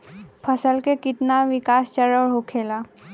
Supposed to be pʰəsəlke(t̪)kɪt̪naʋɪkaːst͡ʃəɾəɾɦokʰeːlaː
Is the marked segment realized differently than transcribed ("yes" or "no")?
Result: yes